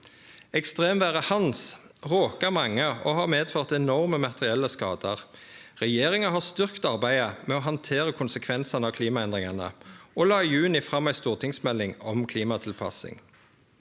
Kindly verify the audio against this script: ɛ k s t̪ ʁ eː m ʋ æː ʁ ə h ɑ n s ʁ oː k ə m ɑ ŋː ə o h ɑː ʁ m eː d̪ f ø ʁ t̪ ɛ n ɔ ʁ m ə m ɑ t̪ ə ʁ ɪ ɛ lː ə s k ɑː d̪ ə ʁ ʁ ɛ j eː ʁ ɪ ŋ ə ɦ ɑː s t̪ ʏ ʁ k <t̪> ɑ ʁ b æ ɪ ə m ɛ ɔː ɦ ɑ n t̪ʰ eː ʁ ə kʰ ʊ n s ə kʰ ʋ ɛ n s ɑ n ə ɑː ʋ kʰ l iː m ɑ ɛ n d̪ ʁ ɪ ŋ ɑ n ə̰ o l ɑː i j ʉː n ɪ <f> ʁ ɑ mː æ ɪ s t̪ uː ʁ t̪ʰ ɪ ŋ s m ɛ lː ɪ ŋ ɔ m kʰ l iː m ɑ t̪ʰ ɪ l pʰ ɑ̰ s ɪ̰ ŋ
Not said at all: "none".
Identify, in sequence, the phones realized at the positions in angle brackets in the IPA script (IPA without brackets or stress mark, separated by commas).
t̪, f